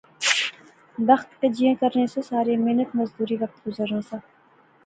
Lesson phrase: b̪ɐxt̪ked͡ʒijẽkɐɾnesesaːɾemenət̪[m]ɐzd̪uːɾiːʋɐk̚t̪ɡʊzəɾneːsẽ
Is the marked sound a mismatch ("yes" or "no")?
no